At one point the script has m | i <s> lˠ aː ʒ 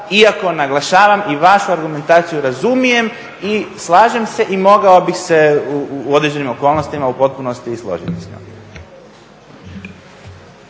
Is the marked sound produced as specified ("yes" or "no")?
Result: yes